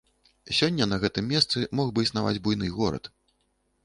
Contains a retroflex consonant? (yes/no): no